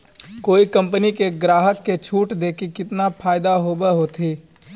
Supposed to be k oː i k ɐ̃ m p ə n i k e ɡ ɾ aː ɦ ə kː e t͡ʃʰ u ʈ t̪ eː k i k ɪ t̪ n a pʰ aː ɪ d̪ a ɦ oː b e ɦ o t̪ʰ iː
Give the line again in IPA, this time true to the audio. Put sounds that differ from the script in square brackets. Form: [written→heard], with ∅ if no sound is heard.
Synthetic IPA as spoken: k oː i k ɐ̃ m p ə n i k e ɡ ɾ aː ɦ ə kː e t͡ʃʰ [u→uː] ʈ [t̪→d̪] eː k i k ɪ t̪ n a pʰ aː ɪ d̪ a ɦ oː b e ɦ o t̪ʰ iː